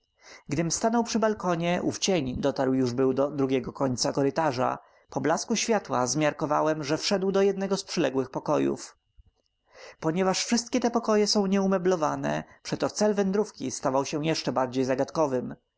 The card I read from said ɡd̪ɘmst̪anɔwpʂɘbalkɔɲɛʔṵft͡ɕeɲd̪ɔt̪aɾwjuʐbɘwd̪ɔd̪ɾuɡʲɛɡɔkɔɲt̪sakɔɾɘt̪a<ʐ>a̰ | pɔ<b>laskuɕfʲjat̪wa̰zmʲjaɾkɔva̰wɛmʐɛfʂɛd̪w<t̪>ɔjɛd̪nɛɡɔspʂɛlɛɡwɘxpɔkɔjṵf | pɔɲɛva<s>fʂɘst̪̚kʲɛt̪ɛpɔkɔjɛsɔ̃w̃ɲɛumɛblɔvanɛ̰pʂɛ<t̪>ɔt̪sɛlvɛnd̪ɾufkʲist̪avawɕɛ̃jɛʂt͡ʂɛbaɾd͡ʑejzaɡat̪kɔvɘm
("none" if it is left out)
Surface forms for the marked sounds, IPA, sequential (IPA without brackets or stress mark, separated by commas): ʐ, b, d̪, ʂ, t̪